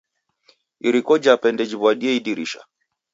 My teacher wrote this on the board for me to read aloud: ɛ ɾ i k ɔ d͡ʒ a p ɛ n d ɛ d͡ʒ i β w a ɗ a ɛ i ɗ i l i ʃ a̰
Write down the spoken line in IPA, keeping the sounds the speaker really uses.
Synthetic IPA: i ɾ i k ɔ d͡ʒ a p ɛ n d ɛ d͡ʒ i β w a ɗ i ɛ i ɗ i ɾ i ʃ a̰